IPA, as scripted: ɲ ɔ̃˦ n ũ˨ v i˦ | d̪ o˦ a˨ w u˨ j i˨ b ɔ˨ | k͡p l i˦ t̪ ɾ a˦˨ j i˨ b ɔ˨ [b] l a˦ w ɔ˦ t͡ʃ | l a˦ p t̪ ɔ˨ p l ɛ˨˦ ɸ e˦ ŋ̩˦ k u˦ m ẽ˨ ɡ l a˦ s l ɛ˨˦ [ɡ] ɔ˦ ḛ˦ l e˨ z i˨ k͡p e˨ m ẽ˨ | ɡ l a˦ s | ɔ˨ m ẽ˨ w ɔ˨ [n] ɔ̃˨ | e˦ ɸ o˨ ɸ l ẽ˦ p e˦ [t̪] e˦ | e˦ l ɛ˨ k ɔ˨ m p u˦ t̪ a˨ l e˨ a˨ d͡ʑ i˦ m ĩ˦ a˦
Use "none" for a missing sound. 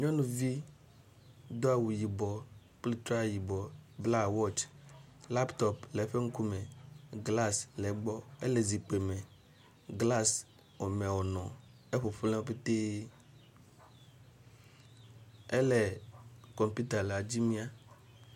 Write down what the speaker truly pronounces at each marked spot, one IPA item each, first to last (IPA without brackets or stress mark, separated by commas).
b, ɡ͡b, n, t̪